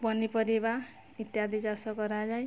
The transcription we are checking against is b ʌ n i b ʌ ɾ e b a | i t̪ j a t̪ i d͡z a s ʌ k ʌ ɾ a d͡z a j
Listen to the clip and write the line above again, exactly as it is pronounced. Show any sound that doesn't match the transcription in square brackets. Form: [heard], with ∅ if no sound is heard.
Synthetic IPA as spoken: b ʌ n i [p] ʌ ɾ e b a | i t̪ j a [d̪] i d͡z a s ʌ k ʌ ɾ a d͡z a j

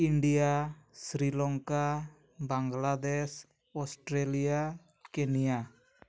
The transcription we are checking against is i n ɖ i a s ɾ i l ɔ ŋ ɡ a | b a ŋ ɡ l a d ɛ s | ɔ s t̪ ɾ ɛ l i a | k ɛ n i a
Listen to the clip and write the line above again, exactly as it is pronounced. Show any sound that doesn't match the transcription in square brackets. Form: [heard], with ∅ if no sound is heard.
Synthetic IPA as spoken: i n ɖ i a s ɾ i l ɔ ŋ [k] a | b a ŋ ɡ l a d ɛ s | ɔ s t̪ ɾ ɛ l i a | k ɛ n i a

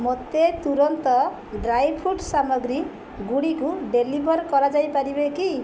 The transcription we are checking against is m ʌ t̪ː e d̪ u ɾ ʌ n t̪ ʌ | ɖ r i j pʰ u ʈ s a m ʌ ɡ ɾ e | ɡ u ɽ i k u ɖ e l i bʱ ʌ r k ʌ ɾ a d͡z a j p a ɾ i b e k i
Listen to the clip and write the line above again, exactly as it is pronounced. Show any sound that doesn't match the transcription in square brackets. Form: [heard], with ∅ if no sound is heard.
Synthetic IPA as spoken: m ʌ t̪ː e [t̪] u ɾ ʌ n t̪ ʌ | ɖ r [a] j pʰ u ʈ s a m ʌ ɡ ɾ [i] | ɡ u ɽ i k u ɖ e l i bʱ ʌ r k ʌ ɾ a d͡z a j p a ɾ i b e k i

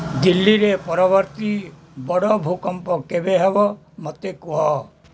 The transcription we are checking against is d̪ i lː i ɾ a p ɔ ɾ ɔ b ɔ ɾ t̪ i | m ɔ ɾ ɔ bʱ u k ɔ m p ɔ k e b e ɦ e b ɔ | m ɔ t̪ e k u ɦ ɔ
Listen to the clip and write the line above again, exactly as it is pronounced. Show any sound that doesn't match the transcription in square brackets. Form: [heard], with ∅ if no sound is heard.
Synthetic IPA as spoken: d̪ i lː i ɾ [e] p ɔ ɾ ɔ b ɔ ɾ t̪ i | [b] ɔ [ɽ] ɔ bʱ u k ɔ m p ɔ k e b e ɦ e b ɔ | m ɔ t̪ e k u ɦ ɔ

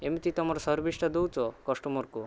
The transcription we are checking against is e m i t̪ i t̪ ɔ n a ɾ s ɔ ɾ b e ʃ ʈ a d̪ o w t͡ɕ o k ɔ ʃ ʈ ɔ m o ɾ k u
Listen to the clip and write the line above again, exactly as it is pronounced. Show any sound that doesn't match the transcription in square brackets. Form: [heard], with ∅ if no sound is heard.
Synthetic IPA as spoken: e m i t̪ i t̪ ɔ [m] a ɾ s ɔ ɾ b [i] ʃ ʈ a d̪ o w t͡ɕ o k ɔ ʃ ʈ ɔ m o ɾ k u

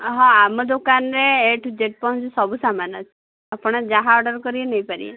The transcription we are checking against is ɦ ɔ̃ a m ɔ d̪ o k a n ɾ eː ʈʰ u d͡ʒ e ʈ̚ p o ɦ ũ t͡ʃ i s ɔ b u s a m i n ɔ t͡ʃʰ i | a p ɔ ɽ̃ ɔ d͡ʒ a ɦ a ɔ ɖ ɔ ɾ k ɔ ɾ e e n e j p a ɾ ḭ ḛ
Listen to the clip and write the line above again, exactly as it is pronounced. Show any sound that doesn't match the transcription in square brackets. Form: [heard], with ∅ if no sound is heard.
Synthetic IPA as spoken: ɦ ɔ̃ a m ɔ d̪ o k a n ɾ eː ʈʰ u d͡ʒ e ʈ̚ p [ɔ] ɦ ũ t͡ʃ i s ɔ b u s a m [a] n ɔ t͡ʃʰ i | a p ɔ ɽ̃ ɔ d͡ʒ a ɦ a ɔ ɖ ɔ ɾ k ɔ ɾ [i] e n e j p a ɾ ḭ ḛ

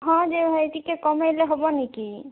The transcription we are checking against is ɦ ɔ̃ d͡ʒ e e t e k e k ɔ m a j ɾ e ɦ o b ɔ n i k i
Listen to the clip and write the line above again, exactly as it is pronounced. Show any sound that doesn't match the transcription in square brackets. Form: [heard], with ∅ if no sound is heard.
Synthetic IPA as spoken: ɦ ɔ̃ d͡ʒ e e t [i] k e k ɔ m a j [l] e ɦ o b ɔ n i k i

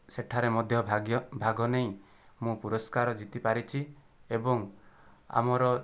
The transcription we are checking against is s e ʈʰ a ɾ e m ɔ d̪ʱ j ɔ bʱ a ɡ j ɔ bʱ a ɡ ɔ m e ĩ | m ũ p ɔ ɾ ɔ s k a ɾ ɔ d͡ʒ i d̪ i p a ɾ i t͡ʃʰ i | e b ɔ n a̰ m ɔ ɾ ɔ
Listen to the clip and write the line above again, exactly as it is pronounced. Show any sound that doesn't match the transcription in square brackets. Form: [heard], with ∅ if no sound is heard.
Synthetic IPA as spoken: s e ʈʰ a ɾ e m ɔ d̪ʱ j ɔ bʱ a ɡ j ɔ bʱ a ɡ ɔ [n] e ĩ | m ũ p [u] ɾ ɔ s k a ɾ ɔ d͡ʒ i [t̪] i p a ɾ i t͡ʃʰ i | e b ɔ [ŋ] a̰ m ɔ ɾ ɔ

